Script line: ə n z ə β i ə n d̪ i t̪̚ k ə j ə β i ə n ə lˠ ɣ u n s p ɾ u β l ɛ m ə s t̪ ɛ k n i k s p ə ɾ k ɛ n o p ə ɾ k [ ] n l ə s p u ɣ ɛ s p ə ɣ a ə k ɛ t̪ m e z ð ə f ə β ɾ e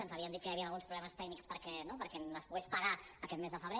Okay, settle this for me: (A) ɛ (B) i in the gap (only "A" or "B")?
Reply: A